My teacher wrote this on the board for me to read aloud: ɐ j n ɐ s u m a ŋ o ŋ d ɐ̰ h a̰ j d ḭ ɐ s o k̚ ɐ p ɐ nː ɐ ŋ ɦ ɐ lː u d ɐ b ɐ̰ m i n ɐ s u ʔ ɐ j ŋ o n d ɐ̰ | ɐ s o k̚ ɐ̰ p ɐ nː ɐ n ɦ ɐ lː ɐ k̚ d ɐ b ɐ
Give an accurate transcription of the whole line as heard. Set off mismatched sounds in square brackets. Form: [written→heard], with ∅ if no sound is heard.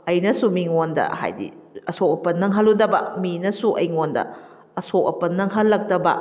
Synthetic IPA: ɐ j n ɐ s u m [a→i] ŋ o [ŋ→n] d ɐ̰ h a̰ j d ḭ ɐ s o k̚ ɐ p ɐ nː ɐ ŋ ɦ ɐ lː u d ɐ b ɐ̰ m i n ɐ s u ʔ ɐ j ŋ o n d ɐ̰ | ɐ s o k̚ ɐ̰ p ɐ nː ɐ [n→ŋ] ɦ ɐ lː ɐ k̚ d ɐ b ɐ